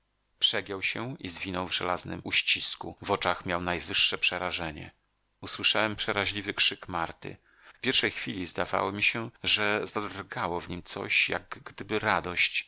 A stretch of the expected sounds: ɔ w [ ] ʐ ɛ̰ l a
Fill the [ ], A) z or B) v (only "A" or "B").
B